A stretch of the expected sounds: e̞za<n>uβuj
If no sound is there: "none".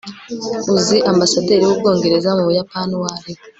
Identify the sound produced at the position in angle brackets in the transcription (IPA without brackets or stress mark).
m